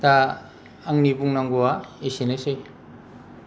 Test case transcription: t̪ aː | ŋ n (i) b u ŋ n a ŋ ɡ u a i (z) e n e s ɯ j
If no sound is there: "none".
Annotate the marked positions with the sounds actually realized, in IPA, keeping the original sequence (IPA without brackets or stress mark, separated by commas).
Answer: i, s